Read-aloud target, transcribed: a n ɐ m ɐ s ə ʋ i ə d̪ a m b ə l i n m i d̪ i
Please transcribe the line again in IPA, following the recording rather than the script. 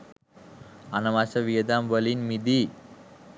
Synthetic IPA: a n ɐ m a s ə ʋ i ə d̪ a m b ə l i n m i d̪ i